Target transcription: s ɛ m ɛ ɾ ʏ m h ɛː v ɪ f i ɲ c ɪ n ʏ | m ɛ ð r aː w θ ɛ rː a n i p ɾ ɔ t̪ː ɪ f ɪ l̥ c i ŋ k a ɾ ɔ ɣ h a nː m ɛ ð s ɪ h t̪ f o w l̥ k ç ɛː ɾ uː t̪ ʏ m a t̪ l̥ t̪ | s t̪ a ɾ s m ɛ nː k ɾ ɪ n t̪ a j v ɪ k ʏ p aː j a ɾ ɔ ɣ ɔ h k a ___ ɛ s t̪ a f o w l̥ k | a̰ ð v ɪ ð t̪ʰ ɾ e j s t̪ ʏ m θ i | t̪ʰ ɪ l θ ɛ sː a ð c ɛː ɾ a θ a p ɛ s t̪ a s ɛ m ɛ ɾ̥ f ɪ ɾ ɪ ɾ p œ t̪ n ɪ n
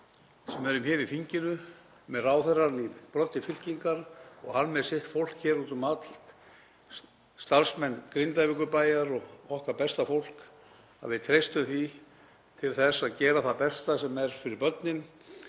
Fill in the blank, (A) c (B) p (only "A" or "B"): B